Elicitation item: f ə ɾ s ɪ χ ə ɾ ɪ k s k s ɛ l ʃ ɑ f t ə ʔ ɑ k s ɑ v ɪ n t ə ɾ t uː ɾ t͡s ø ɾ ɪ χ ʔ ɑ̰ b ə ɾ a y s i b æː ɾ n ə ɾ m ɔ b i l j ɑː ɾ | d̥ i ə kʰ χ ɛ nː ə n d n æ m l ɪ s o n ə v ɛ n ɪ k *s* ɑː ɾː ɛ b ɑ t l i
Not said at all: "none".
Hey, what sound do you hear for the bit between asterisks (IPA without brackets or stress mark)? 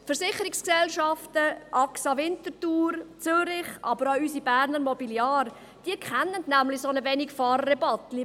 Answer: f